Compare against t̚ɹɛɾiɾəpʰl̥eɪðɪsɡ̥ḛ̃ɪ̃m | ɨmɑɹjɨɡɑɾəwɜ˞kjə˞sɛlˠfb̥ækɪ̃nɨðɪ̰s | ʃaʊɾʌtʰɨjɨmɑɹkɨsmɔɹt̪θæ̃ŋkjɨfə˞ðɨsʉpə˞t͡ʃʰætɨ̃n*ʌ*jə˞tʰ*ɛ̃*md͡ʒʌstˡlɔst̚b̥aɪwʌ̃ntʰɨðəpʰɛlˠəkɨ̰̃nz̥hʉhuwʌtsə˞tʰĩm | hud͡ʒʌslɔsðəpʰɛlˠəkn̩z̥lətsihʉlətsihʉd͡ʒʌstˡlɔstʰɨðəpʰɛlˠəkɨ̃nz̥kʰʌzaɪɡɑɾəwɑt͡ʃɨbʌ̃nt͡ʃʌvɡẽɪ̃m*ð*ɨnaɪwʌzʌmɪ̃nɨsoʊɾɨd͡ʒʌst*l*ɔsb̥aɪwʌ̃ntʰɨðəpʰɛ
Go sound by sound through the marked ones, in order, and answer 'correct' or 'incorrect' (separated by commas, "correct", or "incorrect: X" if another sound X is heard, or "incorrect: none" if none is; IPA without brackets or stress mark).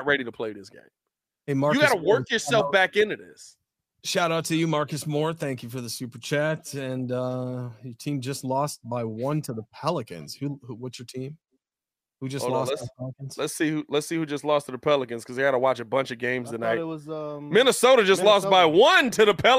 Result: correct, incorrect: ĩ, incorrect: z, correct